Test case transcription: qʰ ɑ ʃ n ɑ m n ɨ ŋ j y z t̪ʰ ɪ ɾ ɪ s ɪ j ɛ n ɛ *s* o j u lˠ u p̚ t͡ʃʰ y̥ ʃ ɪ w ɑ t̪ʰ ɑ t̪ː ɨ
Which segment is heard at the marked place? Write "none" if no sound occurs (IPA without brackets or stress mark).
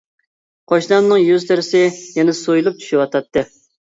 s